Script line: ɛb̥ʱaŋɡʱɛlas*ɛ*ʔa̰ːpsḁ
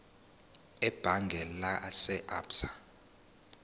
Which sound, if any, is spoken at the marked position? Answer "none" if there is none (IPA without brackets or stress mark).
ɛ